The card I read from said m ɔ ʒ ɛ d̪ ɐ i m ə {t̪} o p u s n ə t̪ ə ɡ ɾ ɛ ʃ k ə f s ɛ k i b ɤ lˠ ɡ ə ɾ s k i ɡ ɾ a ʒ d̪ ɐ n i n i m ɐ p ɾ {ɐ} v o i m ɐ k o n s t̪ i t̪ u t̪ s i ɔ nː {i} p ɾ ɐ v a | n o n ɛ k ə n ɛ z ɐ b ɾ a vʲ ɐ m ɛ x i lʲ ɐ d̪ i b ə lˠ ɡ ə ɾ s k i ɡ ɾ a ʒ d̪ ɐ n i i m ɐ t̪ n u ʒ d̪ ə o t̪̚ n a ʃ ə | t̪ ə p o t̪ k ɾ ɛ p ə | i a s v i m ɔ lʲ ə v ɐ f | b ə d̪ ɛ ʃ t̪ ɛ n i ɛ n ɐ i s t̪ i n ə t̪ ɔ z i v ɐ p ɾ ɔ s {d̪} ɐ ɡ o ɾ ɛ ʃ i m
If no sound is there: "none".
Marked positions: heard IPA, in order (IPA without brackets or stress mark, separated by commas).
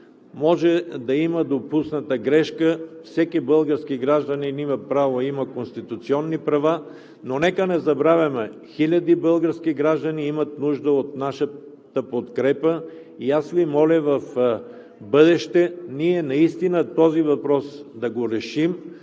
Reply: d̪, a, i, d̪